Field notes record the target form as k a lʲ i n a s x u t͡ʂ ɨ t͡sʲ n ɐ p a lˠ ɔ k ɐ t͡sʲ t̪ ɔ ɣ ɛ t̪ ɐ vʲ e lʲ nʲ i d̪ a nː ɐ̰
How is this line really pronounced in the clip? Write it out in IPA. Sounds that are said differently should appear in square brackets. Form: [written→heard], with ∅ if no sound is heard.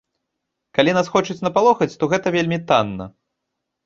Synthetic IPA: k a lʲ i n a s x [u→ɔ] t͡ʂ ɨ t͡sʲ n ɐ p a lˠ ɔ [k→x] ɐ t͡sʲ t̪ ɔ ɣ ɛ t̪ ɐ vʲ e lʲ [nʲ→mʲ] i [d̪→t̪] a nː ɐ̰